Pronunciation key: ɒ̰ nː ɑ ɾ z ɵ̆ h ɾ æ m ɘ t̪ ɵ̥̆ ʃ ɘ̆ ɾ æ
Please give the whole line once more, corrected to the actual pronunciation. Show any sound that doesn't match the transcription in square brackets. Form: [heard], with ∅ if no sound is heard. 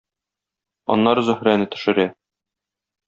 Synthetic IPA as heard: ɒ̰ nː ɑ ɾ z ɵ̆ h ɾ æ [n] ɘ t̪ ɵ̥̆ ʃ ɘ̆ ɾ æ